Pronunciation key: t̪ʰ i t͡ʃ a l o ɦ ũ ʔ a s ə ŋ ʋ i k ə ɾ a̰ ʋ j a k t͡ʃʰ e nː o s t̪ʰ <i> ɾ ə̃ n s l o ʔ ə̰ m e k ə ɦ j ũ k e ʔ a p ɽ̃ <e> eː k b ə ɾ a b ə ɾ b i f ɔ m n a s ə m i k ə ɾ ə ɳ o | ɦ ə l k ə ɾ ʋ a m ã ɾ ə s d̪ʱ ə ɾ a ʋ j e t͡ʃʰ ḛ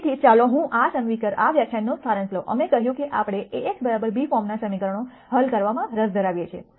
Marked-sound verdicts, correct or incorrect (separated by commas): incorrect, correct